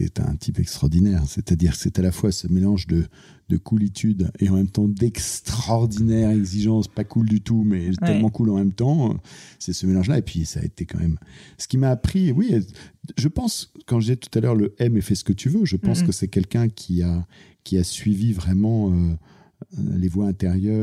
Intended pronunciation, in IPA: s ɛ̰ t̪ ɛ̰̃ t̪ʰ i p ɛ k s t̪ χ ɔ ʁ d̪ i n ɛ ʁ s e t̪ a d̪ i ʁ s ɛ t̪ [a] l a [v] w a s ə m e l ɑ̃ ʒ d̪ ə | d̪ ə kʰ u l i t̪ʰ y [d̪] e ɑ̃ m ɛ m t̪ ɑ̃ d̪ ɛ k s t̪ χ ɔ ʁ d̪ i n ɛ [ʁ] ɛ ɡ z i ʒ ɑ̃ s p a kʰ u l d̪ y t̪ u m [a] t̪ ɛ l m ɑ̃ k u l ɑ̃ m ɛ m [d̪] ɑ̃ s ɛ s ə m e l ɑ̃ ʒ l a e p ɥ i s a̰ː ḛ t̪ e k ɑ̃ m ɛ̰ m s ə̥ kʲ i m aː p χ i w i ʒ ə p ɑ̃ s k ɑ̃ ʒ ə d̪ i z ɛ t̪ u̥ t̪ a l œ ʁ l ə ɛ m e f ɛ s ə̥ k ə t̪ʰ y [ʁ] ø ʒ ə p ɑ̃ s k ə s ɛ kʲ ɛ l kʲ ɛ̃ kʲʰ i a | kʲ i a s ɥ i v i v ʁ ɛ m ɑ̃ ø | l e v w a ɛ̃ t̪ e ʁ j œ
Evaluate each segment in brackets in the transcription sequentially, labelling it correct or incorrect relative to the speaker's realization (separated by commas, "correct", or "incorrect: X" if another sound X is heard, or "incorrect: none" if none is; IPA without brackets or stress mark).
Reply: correct, incorrect: f, correct, correct, incorrect: ɛ, incorrect: t̪, incorrect: v